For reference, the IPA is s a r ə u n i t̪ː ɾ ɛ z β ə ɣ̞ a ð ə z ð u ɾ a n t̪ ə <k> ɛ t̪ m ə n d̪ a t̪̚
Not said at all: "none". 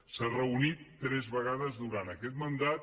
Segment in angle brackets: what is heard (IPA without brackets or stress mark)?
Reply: k